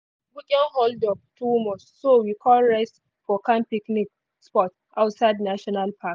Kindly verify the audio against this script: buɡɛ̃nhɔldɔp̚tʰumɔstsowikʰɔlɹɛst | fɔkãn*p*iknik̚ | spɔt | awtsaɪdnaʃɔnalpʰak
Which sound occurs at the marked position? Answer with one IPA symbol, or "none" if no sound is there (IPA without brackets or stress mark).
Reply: p